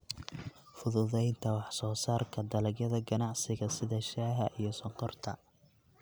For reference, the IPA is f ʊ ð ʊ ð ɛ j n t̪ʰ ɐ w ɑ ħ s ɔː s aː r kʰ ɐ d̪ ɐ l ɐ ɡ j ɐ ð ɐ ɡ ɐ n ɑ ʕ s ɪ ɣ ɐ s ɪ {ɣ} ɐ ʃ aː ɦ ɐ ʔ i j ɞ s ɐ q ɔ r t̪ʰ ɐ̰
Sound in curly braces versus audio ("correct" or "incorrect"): incorrect